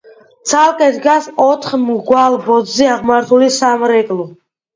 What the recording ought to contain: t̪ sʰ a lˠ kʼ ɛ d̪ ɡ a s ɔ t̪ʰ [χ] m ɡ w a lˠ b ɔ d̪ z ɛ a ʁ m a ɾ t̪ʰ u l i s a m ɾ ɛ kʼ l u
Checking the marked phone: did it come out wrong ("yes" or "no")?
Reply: no